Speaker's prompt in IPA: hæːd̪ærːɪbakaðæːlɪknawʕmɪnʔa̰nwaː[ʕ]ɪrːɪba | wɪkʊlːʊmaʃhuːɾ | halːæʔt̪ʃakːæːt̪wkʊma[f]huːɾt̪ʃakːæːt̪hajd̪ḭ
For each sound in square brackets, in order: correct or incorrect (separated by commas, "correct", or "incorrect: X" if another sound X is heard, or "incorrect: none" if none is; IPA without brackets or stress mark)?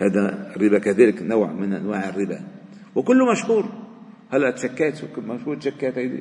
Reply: correct, incorrect: ʃ